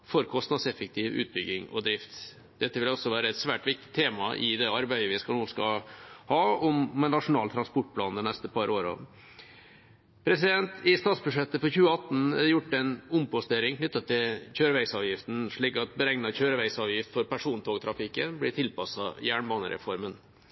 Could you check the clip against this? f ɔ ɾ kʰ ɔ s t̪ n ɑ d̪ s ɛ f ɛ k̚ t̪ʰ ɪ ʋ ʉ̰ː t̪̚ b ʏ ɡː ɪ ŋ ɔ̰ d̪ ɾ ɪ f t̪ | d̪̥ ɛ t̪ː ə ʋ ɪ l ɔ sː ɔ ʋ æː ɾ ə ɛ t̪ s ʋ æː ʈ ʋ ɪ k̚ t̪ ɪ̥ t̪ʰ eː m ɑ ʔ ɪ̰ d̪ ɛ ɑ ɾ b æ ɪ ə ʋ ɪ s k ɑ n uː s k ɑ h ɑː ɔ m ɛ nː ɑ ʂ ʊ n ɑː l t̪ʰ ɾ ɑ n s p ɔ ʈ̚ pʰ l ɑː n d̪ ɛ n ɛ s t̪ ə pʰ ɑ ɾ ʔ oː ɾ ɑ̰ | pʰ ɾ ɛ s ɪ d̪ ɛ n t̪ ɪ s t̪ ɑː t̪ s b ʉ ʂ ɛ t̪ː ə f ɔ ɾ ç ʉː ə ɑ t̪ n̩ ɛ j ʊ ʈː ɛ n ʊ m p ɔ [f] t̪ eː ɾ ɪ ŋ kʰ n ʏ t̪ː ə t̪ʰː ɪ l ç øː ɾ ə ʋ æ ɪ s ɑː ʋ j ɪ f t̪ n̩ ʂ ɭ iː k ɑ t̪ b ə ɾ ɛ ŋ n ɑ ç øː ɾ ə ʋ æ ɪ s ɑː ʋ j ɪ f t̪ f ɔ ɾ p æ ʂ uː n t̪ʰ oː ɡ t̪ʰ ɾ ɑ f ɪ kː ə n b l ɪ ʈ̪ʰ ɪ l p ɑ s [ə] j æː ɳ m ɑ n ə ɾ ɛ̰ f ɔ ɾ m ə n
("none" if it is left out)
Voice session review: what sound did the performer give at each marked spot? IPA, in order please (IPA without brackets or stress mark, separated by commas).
s, ɑ